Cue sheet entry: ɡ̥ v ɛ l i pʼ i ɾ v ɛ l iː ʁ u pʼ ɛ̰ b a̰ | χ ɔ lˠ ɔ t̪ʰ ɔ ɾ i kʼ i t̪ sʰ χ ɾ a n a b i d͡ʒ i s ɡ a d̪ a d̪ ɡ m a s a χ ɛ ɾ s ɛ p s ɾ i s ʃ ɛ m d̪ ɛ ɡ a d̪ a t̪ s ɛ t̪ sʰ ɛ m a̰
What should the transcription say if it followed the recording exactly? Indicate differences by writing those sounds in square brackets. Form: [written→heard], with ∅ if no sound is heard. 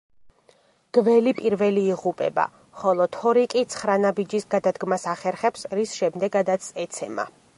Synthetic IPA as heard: ɡ̥ v ɛ l i pʼ i ɾ v ɛ l iː ʁ u pʼ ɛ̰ b a̰ | χ ɔ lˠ ɔ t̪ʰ ɔ ɾ i kʼ i t̪ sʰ χ ɾ a n a b i d͡ʒ i s ɡ a d̪ a d̪ ɡ m a s a χ ɛ ɾ [s→χ] ɛ p s ɾ i s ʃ ɛ m d̪ ɛ ɡ a d̪ a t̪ s ɛ t̪ sʰ ɛ m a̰

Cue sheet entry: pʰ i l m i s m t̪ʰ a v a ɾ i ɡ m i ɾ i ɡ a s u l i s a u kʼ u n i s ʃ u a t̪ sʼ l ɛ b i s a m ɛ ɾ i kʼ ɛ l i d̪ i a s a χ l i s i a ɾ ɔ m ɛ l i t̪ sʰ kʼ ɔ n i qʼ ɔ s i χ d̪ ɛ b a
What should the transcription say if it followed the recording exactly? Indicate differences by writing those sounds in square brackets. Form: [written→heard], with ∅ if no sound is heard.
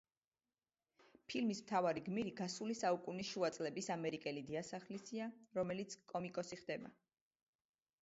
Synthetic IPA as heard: pʰ i l m i s m t̪ʰ a v a ɾ i ɡ m i ɾ i ɡ a s u l i s a u kʼ u n i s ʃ u a t̪ sʼ l ɛ b i s a m ɛ ɾ i kʼ ɛ l i d̪ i a s a χ l i s i a ɾ ɔ m ɛ l i t̪ sʰ kʼ ɔ [n→m] i [qʼ→kʼ] ɔ s i χ d̪ ɛ b a

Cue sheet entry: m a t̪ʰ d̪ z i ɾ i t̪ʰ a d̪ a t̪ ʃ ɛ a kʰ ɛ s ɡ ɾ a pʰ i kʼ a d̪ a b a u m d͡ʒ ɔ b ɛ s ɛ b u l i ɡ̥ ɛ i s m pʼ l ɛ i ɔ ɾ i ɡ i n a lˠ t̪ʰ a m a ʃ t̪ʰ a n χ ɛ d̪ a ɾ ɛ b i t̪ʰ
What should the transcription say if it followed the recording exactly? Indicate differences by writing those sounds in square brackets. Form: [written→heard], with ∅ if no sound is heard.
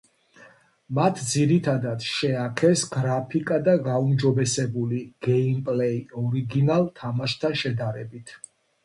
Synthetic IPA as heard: m a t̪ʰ d̪ z i ɾ i t̪ʰ a d̪ a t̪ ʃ ɛ a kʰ ɛ s ɡ ɾ a pʰ i kʼ a d̪ a [b→ɡ] a u m d͡ʒ ɔ b ɛ s ɛ b u l i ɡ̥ ɛ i [s→∅] m pʼ l ɛ i ɔ ɾ i ɡ i n a lˠ t̪ʰ a m a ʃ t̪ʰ a n [χ→ʃ] ɛ d̪ a ɾ ɛ b i t̪ʰ

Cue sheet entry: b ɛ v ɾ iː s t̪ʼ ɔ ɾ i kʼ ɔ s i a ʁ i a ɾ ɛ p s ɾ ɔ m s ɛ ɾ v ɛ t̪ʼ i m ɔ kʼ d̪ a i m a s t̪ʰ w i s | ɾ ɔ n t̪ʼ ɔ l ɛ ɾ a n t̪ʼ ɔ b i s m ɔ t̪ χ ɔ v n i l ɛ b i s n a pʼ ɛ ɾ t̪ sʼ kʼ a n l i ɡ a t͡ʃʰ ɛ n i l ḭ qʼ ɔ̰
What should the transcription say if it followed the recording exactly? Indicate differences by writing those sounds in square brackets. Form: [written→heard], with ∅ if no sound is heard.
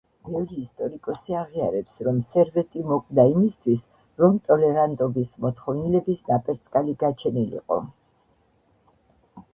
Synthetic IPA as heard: b ɛ v ɾ iː s t̪ʼ ɔ ɾ i kʼ ɔ s i a ʁ i a ɾ ɛ p s ɾ ɔ m s ɛ ɾ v ɛ t̪ʼ i m ɔ kʼ d̪ a i m [a→i] s t̪ʰ w i s | ɾ ɔ [n→m] t̪ʼ ɔ l ɛ ɾ a n t̪ʼ ɔ b i s m ɔ t̪ χ ɔ v n i l ɛ b i s n a pʼ ɛ ɾ t̪ sʼ kʼ a [n→∅] l i ɡ a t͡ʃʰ ɛ n i l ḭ qʼ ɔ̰

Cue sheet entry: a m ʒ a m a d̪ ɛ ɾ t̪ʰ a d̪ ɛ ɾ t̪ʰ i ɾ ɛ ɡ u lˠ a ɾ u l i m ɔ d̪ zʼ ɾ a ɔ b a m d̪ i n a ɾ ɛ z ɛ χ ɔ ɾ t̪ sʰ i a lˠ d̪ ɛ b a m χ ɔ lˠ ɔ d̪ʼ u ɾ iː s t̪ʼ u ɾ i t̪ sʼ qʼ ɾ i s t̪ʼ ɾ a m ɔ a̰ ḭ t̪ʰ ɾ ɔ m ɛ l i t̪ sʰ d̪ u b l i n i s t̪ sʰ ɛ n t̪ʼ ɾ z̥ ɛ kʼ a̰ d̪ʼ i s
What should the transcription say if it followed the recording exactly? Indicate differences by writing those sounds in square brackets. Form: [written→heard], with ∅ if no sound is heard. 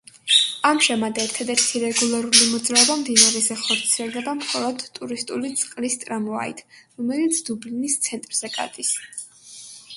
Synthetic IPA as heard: a m ʒ a m a d̪ ɛ ɾ t̪ʰ a d̪ ɛ ɾ t̪ʰ i ɾ ɛ ɡ u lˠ a ɾ u l i m ɔ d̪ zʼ ɾ a ɔ b a m d̪ i n a ɾ ɛ z ɛ χ ɔ ɾ t̪ sʰ i [a→ɛ] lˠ d̪ ɛ b a m χ ɔ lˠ ɔ d̪ʼ u ɾ [iː→i] s t̪ʼ u [ɾ→l] i t̪ sʼ qʼ [ɾ→l] i s t̪ʼ ɾ a m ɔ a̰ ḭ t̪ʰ ɾ ɔ m ɛ l i t̪ sʰ d̪ u b l i n i s t̪ sʰ ɛ n t̪ʼ ɾ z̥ ɛ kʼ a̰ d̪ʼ i s

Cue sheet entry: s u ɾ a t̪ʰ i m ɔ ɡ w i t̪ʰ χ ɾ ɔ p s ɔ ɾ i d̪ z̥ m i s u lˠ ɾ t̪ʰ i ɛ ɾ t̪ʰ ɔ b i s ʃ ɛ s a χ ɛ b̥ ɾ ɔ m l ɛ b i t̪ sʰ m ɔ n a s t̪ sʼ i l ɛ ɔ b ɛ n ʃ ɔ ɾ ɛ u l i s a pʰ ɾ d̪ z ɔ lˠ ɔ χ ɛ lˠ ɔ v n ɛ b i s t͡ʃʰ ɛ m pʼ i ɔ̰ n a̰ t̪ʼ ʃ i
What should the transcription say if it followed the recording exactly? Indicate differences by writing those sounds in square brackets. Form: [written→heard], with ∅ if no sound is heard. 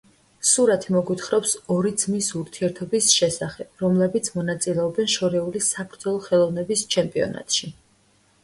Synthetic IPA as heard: s u ɾ a t̪ʰ i m ɔ ɡ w i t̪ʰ χ ɾ ɔ p s ɔ ɾ i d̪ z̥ m i s u [lˠ→∅] ɾ t̪ʰ i ɛ ɾ t̪ʰ ɔ b i s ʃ ɛ s a χ ɛ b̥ ɾ ɔ m l ɛ b i t̪ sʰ m ɔ n a [s→∅] t̪ sʼ i l ɛ ɔ b ɛ n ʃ ɔ ɾ ɛ u l i s a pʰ ɾ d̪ z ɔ lˠ ɔ χ ɛ lˠ ɔ v n ɛ b i s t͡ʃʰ ɛ m pʼ i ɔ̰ n a̰ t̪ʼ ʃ i

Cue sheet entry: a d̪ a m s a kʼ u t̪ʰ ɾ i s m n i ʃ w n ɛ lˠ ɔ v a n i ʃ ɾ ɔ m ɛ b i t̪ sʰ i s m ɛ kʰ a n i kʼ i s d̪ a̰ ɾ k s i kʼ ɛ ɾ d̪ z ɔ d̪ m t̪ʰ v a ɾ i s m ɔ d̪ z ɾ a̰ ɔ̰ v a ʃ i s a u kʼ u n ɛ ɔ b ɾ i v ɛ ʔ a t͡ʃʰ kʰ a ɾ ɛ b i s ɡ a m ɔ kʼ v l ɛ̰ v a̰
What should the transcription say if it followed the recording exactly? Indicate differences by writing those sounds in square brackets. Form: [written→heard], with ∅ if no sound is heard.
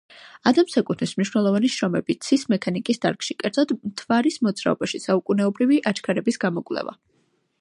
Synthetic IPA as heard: a d̪ a m s a kʼ u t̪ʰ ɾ i s m n i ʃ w n ɛ lˠ ɔ v a n i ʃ ɾ ɔ m ɛ b i t̪ sʰ i s m ɛ kʰ a n i kʼ i s d̪ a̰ ɾ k [s→ʃ] i kʼ ɛ ɾ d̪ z ɔ d̪ m t̪ʰ v a ɾ i s m ɔ d̪ z ɾ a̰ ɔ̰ [v→b] a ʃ i s a u kʼ u n ɛ ɔ b ɾ i v [ɛ→i] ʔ a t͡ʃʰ kʰ a ɾ ɛ b i s ɡ a m ɔ kʼ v l ɛ̰ v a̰

